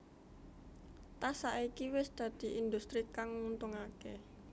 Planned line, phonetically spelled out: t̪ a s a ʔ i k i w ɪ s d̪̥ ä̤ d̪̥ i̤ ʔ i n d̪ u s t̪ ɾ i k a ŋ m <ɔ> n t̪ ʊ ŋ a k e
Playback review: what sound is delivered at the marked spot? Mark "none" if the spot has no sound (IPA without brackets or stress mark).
u